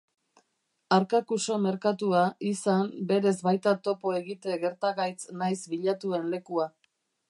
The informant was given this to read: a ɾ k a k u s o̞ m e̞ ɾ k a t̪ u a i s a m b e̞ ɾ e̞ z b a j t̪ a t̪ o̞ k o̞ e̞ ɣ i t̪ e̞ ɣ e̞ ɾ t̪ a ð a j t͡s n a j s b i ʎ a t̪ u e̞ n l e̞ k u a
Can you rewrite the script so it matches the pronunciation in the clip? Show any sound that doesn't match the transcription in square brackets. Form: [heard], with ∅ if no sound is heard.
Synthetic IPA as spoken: a ɾ k a k u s o̞ m e̞ ɾ k a t̪ u a i s a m b e̞ ɾ e̞ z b a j t̪ a t̪ o̞ [p] o̞ e̞ ɣ i t̪ e̞ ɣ e̞ ɾ t̪ a [ɣ] a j t͡s n a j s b i ʎ a t̪ u e̞ n l e̞ k u a

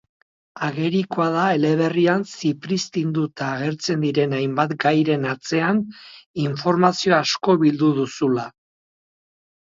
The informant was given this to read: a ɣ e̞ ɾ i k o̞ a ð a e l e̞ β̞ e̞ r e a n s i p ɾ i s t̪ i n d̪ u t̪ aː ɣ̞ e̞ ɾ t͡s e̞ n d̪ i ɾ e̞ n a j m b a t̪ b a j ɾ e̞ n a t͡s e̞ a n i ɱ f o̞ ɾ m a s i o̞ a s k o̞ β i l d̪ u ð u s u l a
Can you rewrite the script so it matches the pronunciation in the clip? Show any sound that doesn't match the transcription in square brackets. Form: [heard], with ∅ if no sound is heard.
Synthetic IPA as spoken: a ɣ e̞ ɾ i k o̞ a ð a e l e̞ β̞ e̞ r [i] a n s i p ɾ i s t̪ i n d̪ u t̪ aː ɣ̞ e̞ ɾ t͡s e̞ n d̪ i ɾ e̞ n a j m b a t̪ [ɡ] a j ɾ e̞ n a t͡s e̞ a n i ɱ f o̞ ɾ m a s i o̞ a s k o̞ β i l d̪ u ð u s u l a

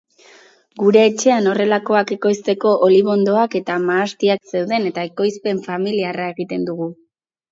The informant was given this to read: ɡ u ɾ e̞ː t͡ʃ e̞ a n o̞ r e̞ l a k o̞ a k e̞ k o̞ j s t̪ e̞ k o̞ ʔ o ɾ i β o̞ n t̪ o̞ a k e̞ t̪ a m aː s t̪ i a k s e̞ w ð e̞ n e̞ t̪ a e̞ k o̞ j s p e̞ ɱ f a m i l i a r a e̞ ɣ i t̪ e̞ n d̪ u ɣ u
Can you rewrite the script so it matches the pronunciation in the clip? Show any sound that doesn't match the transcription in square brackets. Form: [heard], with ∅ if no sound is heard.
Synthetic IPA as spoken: ɡ u ɾ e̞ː t͡ʃ e̞ a n o̞ r e̞ l a k o̞ a k e̞ k o̞ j s t̪ e̞ k o̞ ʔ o [l] i β o̞ n [d̪] o̞ a k e̞ t̪ a m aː s t̪ i a k s e̞ w ð e̞ n e̞ t̪ a e̞ k o̞ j s p e̞ ɱ f a m i l i a r a e̞ ɣ i t̪ e̞ n d̪ u ɣ u

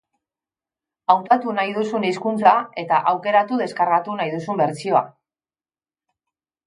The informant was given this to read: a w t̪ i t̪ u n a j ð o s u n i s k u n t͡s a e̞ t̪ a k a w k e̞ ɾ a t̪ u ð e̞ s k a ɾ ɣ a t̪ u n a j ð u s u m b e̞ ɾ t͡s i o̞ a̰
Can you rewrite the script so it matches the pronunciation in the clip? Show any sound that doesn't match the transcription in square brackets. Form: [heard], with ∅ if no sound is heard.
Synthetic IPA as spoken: a w t̪ [a] t̪ u n a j ð [u] s u n i s k u n t͡s a e̞ t̪ a [ʔ] a w k e̞ ɾ a t̪ u ð e̞ s k a ɾ ɣ a t̪ u n a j ð u s u m b e̞ ɾ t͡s i o̞ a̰

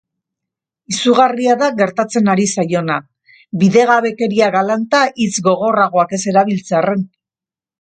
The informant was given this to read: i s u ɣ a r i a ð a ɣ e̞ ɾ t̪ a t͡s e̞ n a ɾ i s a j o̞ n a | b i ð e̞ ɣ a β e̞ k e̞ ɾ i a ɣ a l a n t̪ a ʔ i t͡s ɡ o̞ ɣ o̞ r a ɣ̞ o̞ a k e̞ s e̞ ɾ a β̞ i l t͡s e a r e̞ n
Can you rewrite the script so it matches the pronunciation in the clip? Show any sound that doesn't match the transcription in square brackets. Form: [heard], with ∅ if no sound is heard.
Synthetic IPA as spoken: i s u ɣ a r i a ð a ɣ e̞ ɾ t̪ a t͡s e̞ n a ɾ i s a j o̞ n a | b i ð e̞ ɣ a β e̞ k e̞ ɾ i a ɣ a l a n t̪ a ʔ i t͡s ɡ o̞ ɣ o̞ r a ɣ̞ o̞ a k e̞ s e̞ ɾ a β̞ i l t͡s e a r e̞ n

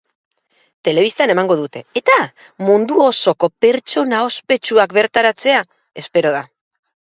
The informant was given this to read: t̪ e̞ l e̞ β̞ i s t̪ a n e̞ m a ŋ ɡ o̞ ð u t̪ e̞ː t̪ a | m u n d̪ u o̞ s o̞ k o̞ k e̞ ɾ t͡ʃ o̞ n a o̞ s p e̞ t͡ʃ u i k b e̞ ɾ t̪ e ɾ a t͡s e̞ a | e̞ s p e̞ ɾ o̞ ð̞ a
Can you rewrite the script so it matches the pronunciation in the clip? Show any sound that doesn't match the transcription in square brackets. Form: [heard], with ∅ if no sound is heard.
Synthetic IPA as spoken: t̪ e̞ l e̞ β̞ i s t̪ a n e̞ m a ŋ ɡ o̞ ð u t̪ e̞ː t̪ a | m u n d̪ u o̞ s o̞ k o̞ [p] e̞ ɾ t͡ʃ o̞ n a o̞ s p e̞ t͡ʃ u [a] k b e̞ ɾ t̪ [a] ɾ a t͡s e̞ a | e̞ s p e̞ ɾ o̞ ð̞ a

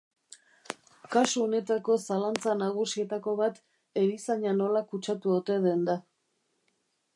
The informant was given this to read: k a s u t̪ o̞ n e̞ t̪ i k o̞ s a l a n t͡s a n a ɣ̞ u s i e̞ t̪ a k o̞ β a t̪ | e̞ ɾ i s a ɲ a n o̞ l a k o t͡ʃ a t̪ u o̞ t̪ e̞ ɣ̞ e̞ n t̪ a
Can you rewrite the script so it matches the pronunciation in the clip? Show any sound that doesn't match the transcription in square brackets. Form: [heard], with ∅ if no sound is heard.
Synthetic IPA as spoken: k a s u [∅] o̞ n e̞ t̪ [a] k o̞ s a l a n t͡s a n a ɣ̞ u s i e̞ t̪ a k o̞ β a t̪ | e̞ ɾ i s a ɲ a n o̞ l a k [u] t͡ʃ a t̪ u o̞ t̪ e̞ [ð̞] e̞ n [d̪] a

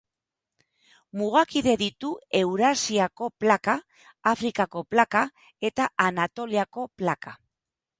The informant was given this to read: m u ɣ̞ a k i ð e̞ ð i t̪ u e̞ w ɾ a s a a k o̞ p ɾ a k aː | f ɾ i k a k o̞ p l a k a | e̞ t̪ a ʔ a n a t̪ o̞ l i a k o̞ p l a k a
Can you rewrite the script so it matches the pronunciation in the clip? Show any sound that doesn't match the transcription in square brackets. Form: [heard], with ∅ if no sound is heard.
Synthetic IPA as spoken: m u ɣ̞ a k i ð e̞ ð i t̪ u e̞ w ɾ a s [i] a k o̞ p [l] a k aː | f ɾ i k a k o̞ p l a k a | e̞ t̪ a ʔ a n a t̪ o̞ l i a k o̞ p l a k a

